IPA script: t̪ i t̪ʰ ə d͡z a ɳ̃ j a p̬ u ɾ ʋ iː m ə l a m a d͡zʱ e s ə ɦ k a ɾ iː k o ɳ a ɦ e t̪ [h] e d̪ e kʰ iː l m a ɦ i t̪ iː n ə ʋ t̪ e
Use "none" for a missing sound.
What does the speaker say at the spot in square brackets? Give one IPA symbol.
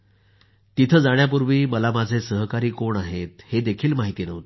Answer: h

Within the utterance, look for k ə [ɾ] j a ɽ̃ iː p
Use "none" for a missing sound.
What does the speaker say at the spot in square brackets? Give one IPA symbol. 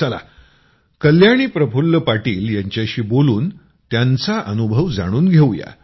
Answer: l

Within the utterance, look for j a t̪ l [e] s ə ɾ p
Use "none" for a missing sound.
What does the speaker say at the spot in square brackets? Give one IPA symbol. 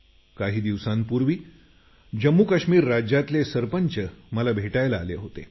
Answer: e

